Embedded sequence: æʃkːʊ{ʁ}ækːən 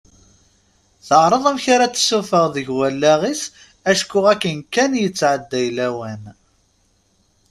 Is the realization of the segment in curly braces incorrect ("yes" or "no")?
no